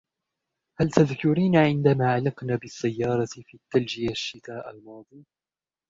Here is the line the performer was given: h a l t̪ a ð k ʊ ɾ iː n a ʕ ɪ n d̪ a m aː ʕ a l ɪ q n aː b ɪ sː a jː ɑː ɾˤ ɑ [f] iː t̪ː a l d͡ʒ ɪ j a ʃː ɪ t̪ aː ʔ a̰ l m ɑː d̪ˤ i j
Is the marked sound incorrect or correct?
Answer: correct